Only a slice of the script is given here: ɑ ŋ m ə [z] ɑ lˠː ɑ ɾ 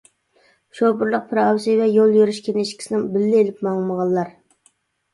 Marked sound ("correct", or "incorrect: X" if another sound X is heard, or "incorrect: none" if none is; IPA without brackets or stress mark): incorrect: ʁ